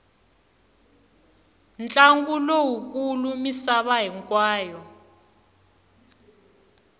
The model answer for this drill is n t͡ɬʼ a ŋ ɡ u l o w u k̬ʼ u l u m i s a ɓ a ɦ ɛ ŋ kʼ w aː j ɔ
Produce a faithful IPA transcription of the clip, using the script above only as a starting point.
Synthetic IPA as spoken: n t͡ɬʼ a ŋ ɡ u l o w u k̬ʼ u l u m i s a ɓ a ɦ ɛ ŋ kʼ w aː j ɔ